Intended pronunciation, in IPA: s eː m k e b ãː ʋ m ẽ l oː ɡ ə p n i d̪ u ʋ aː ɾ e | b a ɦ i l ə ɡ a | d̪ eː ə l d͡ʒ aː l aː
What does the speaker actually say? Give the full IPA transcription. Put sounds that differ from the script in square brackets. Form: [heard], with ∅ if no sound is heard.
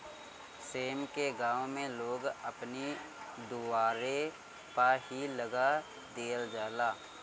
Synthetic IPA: s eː m k e [ɡ] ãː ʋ m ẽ l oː ɡ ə p n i d̪ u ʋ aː ɾ e | [p] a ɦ i l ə ɡ a | d̪ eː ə l d͡ʒ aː l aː